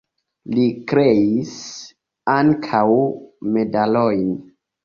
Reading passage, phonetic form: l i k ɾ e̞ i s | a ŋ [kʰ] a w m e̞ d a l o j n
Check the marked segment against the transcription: correct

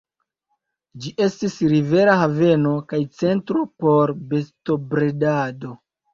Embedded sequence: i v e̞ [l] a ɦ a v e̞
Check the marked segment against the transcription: incorrect: ɾ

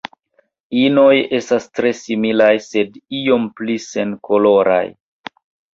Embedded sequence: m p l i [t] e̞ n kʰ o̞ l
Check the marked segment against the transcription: incorrect: s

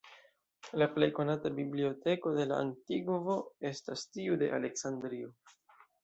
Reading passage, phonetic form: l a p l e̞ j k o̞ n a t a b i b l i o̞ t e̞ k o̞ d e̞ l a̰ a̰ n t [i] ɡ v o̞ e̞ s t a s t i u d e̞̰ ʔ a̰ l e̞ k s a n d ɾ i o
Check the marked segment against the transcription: correct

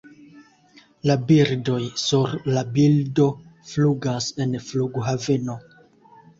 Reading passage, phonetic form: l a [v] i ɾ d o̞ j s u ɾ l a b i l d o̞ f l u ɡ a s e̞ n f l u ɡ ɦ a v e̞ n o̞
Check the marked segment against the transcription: incorrect: b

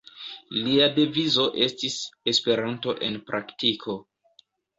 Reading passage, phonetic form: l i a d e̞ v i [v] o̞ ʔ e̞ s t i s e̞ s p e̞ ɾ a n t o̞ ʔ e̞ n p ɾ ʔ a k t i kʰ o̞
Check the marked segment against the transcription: incorrect: z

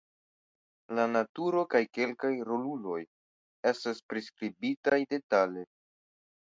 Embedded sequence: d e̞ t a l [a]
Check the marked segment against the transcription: incorrect: e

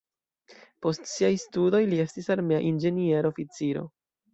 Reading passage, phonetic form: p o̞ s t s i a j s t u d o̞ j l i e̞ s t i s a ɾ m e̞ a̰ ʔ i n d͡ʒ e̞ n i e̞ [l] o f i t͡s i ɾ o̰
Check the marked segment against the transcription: incorrect: ɾ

